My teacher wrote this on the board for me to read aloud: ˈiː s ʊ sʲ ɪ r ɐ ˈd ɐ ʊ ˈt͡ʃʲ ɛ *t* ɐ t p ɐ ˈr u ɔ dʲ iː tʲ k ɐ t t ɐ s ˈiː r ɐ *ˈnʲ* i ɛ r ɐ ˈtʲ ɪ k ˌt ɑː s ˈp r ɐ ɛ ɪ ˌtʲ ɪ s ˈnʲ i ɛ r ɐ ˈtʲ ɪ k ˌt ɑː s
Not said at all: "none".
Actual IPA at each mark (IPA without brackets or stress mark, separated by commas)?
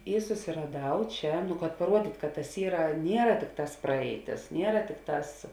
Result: k, nʲ